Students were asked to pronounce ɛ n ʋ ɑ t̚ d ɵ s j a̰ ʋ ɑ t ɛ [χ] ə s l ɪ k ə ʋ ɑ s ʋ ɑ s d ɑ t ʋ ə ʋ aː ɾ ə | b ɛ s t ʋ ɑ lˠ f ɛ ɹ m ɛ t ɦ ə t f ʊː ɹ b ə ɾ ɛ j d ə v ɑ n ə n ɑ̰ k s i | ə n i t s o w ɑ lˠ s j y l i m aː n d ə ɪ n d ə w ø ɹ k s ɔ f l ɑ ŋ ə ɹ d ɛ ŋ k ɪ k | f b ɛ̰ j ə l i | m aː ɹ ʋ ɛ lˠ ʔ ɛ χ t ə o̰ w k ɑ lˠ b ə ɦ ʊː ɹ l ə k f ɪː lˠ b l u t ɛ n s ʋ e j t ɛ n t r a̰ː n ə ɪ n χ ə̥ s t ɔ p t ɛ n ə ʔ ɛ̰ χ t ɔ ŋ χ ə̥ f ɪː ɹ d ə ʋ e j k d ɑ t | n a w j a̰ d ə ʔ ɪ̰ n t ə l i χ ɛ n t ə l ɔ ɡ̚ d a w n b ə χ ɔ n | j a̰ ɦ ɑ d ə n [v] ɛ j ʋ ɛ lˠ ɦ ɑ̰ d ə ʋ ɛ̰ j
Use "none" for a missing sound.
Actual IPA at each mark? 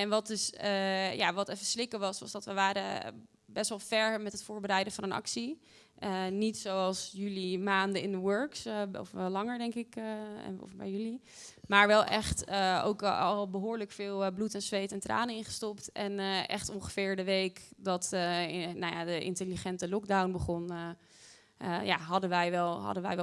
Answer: f, ʋ

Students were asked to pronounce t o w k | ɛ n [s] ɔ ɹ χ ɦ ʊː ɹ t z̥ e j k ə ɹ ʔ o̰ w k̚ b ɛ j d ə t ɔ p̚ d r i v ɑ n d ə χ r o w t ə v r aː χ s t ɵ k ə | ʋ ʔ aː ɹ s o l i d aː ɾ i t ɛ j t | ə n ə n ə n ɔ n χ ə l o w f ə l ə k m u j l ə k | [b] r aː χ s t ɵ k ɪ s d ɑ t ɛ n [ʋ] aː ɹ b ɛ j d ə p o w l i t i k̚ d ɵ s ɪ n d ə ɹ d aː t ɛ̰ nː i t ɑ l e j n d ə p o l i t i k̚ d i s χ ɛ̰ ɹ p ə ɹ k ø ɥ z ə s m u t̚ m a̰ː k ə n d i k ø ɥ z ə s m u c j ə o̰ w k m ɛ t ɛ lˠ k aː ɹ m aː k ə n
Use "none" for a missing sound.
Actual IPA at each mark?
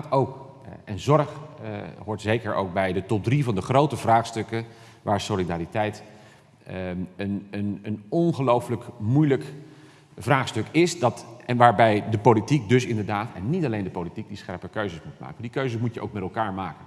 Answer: z, v, ʋ

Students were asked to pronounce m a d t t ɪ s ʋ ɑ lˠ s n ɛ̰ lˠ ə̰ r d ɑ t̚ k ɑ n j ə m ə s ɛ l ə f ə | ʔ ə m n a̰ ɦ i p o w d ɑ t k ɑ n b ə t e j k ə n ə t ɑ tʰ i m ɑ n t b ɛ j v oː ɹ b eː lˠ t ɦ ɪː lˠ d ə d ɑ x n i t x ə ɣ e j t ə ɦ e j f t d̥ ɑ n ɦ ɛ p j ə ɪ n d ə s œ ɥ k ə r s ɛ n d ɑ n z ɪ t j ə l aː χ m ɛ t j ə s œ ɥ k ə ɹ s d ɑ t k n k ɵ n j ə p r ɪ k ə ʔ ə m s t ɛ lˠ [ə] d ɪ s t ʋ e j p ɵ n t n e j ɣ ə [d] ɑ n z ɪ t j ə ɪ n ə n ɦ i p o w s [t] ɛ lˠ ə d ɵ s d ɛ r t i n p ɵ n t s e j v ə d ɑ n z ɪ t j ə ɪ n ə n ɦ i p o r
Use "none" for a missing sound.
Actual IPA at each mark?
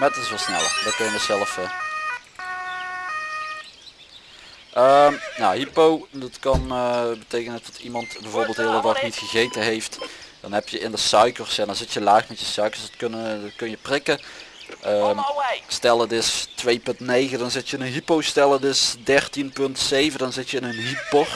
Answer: ə, d, t

